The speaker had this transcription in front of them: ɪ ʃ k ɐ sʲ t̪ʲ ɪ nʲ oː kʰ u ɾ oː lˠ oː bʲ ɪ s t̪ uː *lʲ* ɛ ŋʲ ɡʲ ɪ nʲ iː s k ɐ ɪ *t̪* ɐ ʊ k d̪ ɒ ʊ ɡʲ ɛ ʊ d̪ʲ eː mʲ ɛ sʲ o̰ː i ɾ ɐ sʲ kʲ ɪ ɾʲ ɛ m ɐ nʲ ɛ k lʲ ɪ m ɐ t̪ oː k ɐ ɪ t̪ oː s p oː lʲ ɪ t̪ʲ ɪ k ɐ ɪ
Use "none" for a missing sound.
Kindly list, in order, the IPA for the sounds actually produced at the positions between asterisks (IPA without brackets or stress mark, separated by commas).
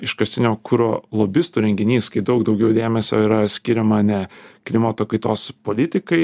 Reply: ɾʲ, d̪